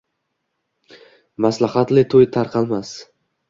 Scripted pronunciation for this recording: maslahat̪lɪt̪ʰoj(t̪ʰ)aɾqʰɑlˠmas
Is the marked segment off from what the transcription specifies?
no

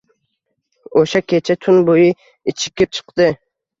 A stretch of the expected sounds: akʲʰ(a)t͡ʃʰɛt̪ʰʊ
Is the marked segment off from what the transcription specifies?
yes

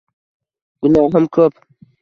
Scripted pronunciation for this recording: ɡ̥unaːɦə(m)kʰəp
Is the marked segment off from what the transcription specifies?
no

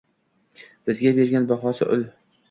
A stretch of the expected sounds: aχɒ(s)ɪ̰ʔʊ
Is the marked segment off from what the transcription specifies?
no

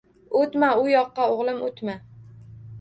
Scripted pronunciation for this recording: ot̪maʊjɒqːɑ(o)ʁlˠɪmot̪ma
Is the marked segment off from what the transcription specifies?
no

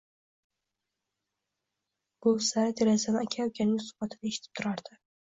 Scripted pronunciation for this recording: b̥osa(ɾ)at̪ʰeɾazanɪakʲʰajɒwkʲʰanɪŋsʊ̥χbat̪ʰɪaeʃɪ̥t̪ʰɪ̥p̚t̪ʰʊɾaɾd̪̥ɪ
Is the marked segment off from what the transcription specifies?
no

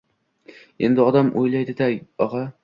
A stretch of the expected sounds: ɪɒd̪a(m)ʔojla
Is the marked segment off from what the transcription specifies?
no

